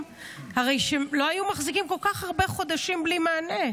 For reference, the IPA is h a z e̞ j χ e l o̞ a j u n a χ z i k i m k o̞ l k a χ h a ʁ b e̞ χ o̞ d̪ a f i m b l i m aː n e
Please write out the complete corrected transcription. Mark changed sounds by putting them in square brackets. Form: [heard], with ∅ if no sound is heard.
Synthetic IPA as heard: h a [ʁ] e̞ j [ʃ] e l o̞ a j u [m] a χ z i k i m k o̞ l k a χ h a ʁ b e̞ χ o̞ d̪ a [ʃ] i m b l i m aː n e